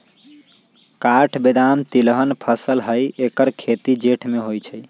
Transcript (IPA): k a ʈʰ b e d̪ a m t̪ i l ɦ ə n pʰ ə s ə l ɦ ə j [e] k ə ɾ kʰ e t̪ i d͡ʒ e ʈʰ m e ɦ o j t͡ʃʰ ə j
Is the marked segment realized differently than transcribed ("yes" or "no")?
no